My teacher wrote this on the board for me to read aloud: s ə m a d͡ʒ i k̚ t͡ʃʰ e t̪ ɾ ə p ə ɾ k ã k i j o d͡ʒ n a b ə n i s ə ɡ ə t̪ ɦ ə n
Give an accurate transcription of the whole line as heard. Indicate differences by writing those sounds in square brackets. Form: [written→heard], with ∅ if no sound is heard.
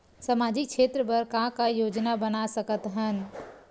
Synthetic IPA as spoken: s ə m a d͡ʒ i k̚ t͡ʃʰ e t̪ ɾ ə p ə ɾ k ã k [i→a] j o d͡ʒ n a b ə n [i→a] s ə [ɡ→k] ə t̪ ɦ ə n

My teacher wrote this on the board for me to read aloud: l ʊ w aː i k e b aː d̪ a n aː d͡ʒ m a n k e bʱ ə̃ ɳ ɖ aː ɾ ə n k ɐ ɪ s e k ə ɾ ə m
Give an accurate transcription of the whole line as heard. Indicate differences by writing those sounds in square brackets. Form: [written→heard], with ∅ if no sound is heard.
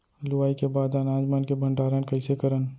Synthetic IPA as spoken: l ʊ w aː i k e b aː d̪ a n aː d͡ʒ m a n k e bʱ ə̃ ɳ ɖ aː ɾ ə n k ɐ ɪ s e k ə ɾ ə [m→n]

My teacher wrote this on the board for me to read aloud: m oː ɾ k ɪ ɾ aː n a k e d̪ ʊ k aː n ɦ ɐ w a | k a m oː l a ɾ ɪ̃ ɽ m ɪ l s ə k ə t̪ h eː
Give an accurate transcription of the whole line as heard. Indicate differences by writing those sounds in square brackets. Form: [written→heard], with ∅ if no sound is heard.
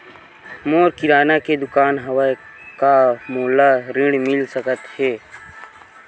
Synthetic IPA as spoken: m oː ɾ k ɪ ɾ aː n a k e d̪ ʊ k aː n ɦ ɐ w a | k a m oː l a ɾ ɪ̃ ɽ m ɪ l s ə k ə t̪ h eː

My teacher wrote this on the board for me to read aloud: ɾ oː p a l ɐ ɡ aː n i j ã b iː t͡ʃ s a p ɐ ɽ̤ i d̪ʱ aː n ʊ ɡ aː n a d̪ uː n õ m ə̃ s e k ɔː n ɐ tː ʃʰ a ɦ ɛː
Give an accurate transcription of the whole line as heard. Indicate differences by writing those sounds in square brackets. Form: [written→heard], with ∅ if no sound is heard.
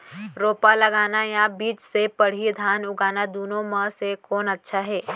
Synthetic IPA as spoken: ɾ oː p a l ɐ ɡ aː n [i→a] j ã b iː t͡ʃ s [a→e] p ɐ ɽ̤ i d̪ʱ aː n ʊ ɡ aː n a d̪ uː n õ m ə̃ s e k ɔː n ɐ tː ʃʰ a ɦ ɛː

